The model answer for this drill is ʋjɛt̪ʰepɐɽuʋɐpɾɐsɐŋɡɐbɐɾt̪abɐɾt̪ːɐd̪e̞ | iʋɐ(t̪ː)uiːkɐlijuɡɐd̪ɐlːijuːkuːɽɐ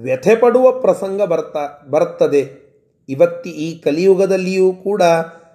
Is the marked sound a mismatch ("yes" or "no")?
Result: no